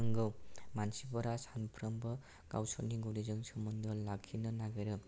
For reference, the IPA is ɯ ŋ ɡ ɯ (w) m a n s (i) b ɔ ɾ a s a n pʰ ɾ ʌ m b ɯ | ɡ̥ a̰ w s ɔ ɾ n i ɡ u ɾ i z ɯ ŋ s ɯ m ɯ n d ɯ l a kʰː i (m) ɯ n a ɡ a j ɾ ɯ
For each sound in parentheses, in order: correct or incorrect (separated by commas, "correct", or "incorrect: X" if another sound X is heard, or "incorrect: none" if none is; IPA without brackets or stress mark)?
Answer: correct, correct, incorrect: n